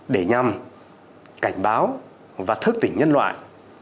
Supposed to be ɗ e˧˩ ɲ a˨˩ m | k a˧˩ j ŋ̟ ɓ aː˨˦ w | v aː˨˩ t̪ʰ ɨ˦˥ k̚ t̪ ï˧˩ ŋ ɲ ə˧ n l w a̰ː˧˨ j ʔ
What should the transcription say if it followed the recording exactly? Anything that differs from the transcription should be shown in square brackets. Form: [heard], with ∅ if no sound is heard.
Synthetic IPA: ɗ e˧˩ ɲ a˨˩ m | k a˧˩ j ŋ̟ ɓ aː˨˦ w | v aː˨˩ t̪ʰ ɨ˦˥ k̚ t̪ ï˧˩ ŋ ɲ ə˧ n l w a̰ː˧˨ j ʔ

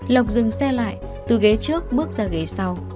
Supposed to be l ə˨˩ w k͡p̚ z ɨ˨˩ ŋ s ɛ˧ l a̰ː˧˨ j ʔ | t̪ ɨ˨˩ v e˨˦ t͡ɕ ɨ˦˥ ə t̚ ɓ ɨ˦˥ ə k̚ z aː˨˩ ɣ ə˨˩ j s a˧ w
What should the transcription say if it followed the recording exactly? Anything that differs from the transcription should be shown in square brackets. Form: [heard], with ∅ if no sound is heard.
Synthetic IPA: l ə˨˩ w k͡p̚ z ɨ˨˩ ŋ s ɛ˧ l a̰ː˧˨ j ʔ | t̪ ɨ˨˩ [ɣ] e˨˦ t͡ɕ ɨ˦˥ ə [k̚] ɓ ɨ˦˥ ə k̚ z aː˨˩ ɣ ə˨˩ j s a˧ w

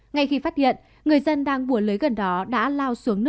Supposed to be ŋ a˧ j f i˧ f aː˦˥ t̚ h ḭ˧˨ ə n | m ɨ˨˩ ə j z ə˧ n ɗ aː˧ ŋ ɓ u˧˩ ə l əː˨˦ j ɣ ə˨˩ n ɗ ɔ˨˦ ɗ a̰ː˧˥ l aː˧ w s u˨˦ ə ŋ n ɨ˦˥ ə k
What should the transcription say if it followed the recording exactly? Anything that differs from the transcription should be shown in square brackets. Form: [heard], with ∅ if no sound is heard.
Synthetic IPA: ŋ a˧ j [x] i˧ f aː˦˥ t̚ h ḭ˧˨ ə n | [ŋ] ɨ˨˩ ə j z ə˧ n ɗ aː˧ ŋ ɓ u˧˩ ə l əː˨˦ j ɣ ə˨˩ n ɗ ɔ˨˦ ɗ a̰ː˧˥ l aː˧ w s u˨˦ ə ŋ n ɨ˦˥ ə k

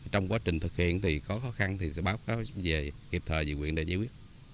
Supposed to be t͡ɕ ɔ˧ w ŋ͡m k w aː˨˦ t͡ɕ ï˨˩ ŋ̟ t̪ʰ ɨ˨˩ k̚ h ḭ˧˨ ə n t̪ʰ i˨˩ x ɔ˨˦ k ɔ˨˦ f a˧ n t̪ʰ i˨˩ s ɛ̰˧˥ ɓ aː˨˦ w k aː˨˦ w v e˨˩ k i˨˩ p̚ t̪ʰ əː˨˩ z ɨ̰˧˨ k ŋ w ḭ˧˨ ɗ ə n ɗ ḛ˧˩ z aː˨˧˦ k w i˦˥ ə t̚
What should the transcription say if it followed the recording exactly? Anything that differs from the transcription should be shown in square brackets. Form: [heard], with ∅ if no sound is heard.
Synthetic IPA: t͡ɕ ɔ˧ w ŋ͡m k w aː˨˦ t͡ɕ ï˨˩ ŋ̟ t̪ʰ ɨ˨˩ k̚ h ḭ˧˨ ə n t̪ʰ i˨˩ x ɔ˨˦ [x] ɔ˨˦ [x] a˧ n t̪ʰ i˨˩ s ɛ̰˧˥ ɓ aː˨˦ w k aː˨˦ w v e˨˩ k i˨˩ p̚ t̪ʰ əː˨˩ z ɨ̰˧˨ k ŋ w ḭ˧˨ [∅] ə n ɗ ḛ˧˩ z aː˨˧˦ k w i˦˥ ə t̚

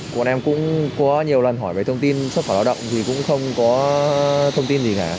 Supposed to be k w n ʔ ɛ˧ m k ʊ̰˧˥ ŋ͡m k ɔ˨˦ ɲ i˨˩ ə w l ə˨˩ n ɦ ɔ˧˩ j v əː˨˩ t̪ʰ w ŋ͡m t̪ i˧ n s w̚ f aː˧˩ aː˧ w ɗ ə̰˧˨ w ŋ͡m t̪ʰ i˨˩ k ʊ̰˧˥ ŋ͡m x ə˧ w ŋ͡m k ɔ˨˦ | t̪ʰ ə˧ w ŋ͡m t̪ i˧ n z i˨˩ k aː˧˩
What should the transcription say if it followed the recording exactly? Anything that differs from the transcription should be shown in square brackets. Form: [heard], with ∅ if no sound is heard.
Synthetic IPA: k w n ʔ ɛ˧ m k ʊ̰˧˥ ŋ͡m k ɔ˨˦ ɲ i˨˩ ə w l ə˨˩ n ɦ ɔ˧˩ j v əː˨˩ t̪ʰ w ŋ͡m t̪ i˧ n s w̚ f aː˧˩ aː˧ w ɗ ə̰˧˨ w ŋ͡m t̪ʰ i˨˩ k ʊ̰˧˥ ŋ͡m x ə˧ w ŋ͡m k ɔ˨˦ | t̪ʰ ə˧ w ŋ͡m t̪ i˧ n z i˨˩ k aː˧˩

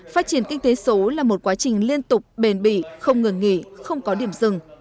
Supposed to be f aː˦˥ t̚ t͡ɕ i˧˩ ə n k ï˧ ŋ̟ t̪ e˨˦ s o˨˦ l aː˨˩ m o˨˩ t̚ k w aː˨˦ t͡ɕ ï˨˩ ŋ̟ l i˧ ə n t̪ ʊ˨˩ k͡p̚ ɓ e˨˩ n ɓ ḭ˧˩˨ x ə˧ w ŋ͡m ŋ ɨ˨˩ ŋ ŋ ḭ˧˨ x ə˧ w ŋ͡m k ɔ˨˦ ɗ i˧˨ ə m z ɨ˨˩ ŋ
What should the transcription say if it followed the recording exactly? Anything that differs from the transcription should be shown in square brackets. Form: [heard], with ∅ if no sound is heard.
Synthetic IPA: f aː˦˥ t̚ t͡ɕ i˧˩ ə n k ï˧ ŋ̟ t̪ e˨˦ s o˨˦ l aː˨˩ m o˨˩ t̚ k w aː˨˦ t͡ɕ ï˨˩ ŋ̟ l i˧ ə n t̪ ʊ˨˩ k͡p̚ ɓ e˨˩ n ɓ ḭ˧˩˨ x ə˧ w ŋ͡m ŋ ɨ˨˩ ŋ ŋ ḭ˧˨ x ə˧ w ŋ͡m k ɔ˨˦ ɗ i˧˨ ə m z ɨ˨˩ ŋ

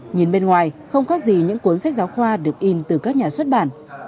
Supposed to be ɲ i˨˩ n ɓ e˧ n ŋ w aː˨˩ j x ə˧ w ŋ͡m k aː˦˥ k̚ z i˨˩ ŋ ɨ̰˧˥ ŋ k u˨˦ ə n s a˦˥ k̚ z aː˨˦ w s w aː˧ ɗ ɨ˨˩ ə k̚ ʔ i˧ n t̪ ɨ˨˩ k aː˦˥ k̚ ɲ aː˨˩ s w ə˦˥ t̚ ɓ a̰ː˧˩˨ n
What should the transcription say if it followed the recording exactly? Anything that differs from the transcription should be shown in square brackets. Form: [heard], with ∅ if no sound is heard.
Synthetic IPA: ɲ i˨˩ n ɓ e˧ n ŋ w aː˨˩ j x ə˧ w ŋ͡m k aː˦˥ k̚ z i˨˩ [ɲ] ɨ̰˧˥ ŋ k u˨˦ ə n s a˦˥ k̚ z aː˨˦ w [x] w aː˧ ɗ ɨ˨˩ ə k̚ ʔ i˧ n t̪ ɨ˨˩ k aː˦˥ k̚ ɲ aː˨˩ s w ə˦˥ t̚ ɓ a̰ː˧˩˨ n

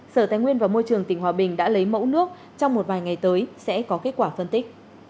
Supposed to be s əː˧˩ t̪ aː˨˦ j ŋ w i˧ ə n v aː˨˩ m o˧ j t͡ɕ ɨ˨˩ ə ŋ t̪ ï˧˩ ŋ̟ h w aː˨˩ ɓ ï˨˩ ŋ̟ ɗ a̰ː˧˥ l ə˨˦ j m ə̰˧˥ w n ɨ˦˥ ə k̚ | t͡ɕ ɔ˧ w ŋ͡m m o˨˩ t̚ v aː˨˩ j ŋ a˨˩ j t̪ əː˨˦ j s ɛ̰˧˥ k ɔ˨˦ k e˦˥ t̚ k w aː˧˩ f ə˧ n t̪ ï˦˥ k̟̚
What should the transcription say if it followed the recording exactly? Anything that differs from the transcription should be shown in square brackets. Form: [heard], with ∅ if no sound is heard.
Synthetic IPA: s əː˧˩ t̪ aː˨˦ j ŋ w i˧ ə n v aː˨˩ m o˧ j t͡ɕ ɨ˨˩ ə ŋ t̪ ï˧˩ ŋ̟ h w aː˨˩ ɓ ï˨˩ ŋ̟ ɗ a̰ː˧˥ l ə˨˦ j m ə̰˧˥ w n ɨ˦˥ ə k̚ | t͡ɕ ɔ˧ w ŋ͡m m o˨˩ t̚ v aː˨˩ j ŋ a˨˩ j t̪ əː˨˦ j s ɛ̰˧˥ k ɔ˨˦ k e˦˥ t̚ k w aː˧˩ f ə˧ n t̪ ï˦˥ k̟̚

